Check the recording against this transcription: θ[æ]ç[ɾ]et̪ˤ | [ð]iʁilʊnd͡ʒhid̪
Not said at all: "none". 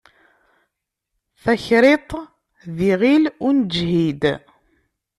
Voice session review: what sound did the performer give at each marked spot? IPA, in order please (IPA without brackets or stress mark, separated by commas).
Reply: æ, ɾ, ð